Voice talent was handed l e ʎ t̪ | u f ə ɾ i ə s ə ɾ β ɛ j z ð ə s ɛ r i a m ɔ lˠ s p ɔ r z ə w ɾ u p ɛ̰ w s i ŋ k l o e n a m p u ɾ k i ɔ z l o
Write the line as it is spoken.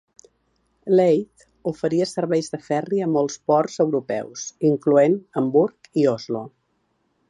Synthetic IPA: l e j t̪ | u f ə ɾ i ə s ə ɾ β ɛ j z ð ə f ɛ r i ə m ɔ lˠ s p ɔ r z ə w ɾ u p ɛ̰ w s i ŋ k l u e n ə m b u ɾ k i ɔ z l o